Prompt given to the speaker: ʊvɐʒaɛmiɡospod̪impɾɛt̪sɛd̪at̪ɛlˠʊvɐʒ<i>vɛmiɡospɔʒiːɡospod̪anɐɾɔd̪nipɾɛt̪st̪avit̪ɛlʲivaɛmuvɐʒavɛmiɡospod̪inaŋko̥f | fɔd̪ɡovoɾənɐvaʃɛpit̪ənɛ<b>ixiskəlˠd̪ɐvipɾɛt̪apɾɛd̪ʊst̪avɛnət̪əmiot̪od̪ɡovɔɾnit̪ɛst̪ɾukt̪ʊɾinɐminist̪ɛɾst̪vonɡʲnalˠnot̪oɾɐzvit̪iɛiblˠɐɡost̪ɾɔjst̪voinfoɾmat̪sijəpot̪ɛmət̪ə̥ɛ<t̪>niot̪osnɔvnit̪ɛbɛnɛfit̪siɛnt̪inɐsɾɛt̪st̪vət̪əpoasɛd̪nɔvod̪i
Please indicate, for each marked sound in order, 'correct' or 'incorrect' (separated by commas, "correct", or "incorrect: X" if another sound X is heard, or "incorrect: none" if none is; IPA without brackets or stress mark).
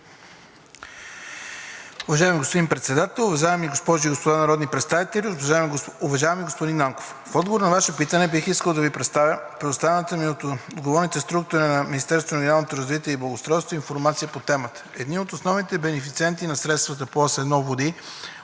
incorrect: a, correct, incorrect: d̪